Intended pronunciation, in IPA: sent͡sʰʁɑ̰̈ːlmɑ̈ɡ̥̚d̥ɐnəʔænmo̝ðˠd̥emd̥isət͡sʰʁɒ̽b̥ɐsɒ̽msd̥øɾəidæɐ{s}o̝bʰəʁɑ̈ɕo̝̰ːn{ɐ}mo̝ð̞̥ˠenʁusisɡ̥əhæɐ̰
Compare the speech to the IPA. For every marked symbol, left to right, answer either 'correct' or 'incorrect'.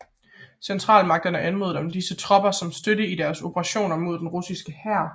correct, correct

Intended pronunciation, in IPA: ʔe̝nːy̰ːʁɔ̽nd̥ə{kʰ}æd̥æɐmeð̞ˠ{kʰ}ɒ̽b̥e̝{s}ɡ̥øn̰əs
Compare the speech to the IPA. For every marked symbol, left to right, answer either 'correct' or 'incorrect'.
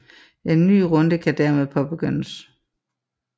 correct, incorrect, incorrect

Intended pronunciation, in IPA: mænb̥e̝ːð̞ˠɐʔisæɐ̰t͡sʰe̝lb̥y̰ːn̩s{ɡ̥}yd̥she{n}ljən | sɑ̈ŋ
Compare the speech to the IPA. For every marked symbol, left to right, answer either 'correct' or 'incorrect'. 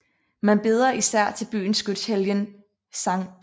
correct, incorrect

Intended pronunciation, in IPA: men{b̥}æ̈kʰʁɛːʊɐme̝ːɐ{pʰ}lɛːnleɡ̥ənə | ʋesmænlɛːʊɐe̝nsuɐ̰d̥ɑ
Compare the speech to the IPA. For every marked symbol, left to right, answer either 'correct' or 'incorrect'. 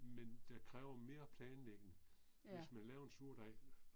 incorrect, correct

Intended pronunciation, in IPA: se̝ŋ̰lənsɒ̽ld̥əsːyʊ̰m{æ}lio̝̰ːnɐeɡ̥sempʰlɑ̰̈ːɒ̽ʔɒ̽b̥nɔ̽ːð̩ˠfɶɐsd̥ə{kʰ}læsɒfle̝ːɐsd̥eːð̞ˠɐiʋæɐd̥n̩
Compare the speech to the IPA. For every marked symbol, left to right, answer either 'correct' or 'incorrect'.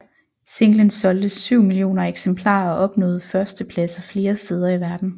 incorrect, incorrect

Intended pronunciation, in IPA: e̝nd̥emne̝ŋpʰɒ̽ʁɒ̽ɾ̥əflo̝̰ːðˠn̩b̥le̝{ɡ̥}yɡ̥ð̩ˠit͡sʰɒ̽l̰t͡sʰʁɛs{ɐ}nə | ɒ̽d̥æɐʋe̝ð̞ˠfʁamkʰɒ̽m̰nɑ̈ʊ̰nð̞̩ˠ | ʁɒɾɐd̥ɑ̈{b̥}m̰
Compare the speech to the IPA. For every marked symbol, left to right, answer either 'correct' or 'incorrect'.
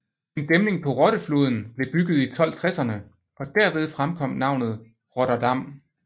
incorrect, correct, incorrect

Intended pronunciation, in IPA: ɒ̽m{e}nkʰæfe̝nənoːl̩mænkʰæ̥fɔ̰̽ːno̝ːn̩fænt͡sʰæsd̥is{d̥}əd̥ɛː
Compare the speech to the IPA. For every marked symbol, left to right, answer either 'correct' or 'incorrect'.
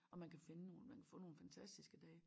incorrect, incorrect

